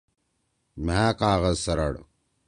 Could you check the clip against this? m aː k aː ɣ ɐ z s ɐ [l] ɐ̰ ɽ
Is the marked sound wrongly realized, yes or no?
yes